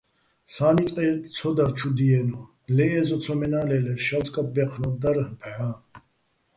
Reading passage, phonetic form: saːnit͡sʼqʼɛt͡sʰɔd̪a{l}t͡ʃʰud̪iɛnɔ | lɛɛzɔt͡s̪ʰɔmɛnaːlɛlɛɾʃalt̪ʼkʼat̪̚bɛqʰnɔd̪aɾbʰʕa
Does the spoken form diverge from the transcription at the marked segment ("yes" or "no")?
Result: yes